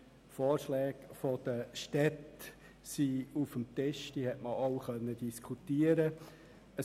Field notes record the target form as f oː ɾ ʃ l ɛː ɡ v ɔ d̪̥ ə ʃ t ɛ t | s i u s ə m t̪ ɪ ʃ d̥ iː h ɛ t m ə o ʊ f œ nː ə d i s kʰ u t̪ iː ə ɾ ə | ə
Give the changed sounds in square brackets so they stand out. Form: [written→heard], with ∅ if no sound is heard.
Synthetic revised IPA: f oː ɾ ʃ l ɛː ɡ [v→f] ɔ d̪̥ ə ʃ t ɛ t | s i u [s→f] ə m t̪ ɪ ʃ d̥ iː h ɛ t m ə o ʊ [f→χ] œ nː ə d i s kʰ u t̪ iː ə ɾ ə | ə

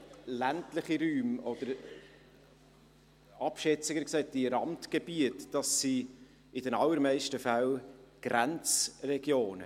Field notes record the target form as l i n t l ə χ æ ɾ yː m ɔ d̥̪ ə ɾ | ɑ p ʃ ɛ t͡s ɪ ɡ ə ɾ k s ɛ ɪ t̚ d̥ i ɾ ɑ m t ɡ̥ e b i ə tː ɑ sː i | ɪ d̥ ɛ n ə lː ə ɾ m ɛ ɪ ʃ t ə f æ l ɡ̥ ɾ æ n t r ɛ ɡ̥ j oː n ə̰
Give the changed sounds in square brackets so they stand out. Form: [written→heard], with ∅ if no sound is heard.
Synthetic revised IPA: l [i→æ] n t l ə χ [æ→i] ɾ yː m ɔ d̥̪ ə ɾ | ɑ p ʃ ɛ t͡s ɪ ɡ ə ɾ k s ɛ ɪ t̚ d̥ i ɾ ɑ m t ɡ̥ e b i ə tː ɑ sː i | ɪ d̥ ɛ n [ə→ɑ] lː ə ɾ m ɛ ɪ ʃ t ə f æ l ɡ̥ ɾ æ n [t→t͡s] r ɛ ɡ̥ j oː n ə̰

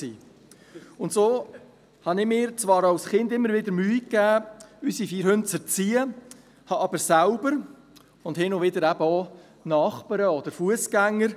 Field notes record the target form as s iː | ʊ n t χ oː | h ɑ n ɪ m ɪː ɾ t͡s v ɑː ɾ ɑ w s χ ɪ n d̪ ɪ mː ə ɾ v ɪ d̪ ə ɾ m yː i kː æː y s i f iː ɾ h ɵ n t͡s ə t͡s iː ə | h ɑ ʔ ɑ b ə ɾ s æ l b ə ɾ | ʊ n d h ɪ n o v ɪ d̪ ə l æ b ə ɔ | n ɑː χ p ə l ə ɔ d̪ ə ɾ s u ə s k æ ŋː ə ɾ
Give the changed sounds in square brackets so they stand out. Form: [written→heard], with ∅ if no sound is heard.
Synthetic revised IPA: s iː | ʊ n t [χ→s] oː | h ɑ n ɪ m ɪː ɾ t͡s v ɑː ɾ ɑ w s χ ɪ n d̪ ɪ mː ə ɾ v ɪ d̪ ə ɾ m yː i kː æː y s i f iː ɾ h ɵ n t͡s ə t͡s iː ə | h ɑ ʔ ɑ b ə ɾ s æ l b ə ɾ | ʊ n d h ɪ n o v ɪ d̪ ə [l→ɾ] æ b ə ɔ | n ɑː χ p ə [l→ɾ] ə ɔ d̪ ə ɾ [s→f] u ə s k æ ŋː ə ɾ

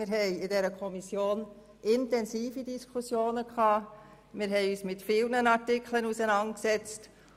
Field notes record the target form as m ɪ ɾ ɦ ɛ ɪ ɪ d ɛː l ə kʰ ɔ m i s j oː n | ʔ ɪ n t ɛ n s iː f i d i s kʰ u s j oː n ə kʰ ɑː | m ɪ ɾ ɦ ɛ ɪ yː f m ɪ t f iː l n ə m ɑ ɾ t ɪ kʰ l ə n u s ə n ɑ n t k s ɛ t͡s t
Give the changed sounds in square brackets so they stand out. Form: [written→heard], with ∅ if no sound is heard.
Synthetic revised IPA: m ɪ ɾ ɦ ɛ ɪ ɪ d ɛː [l→ɾ] ə kʰ ɔ m i s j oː n | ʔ ɪ n t ɛ n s iː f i d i s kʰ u s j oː n ə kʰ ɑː | m ɪ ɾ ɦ ɛ ɪ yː [f→s] m ɪ t f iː l n ə [m→n] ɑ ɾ t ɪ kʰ l ə n u s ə n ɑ n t k s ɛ t͡s t

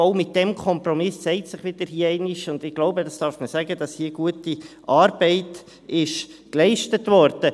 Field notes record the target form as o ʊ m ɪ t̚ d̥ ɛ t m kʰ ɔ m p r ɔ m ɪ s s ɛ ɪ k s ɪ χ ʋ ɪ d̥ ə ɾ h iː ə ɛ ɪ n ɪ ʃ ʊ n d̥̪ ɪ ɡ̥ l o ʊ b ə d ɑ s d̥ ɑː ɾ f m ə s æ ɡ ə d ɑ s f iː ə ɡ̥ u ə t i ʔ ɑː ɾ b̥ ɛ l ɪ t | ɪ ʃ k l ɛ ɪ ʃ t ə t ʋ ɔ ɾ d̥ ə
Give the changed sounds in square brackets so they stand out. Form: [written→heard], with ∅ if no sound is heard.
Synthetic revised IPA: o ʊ m ɪ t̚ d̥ ɛ [t→∅] m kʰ ɔ m p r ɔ m ɪ s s ɛ ɪ [k→t] s ɪ χ ʋ ɪ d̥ ə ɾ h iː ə ɛ ɪ n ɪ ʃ ʊ n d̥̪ ɪ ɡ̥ l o ʊ b ə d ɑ s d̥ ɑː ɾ f m ə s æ ɡ ə d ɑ s [f→h] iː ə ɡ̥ u ə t i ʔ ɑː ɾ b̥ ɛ [l→∅] ɪ t | ɪ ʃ k l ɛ ɪ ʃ t ə t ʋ ɔ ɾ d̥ ə

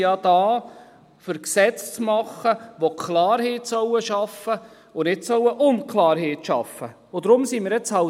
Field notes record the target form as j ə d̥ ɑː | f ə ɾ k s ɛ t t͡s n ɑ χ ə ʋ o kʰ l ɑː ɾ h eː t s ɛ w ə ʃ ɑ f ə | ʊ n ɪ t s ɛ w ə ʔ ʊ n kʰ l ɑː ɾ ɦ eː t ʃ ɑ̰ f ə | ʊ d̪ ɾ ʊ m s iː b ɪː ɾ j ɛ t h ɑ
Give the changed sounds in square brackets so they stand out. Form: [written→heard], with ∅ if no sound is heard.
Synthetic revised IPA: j [ə→ɑ] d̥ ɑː | f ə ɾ k s ɛ [t→t͡s] t͡s [n→m] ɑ χ ə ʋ o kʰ l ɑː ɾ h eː t s [ɛ→œ] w ə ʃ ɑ f ə | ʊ n ɪ t s [ɛ→œ] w ə ʔ ʊ n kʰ l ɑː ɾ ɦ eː t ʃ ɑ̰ f ə | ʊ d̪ ɾ ʊ m s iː [b→m] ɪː ɾ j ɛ [t→t͡s] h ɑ

